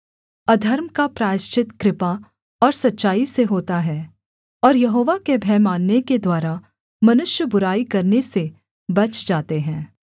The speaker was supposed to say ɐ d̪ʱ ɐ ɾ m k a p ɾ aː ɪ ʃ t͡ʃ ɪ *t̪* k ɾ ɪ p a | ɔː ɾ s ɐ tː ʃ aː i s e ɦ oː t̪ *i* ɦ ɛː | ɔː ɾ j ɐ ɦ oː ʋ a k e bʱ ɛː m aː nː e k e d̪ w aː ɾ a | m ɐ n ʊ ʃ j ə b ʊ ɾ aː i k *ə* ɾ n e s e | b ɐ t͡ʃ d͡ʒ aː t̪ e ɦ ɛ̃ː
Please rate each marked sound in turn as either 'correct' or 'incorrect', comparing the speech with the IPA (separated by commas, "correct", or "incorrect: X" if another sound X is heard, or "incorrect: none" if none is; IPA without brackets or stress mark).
correct, incorrect: a, incorrect: ɐ